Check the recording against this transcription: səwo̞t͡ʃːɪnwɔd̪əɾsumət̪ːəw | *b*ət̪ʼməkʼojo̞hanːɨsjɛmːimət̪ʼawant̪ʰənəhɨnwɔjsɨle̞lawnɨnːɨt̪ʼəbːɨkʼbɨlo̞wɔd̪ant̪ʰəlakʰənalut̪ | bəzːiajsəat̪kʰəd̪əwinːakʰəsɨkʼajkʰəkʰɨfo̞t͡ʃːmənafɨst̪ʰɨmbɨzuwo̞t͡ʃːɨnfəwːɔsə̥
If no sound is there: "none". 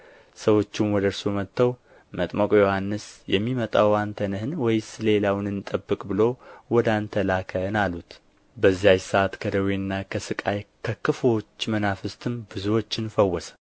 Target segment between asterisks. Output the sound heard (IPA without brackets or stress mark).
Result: m